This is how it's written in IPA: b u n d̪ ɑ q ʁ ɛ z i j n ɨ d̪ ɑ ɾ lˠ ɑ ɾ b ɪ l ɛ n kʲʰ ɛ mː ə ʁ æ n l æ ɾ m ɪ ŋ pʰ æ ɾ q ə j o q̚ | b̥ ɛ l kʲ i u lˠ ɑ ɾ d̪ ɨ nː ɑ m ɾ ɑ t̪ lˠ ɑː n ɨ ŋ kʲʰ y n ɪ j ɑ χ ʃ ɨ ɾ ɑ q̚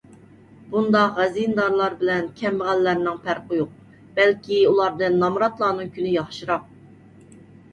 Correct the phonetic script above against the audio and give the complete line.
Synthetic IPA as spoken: b u n d̪ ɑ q ʁ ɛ z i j n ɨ d̪ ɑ ɾ lˠ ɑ ɾ b ɪ l ɛ n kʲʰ ɛ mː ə ʁ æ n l æ ɾ n ɪ ŋ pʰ æ ɾ q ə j o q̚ | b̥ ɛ l kʲ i u lˠ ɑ ɾ d̪ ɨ nː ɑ m ɾ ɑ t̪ lˠ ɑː n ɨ ŋ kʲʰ y n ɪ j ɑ χ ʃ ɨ ɾ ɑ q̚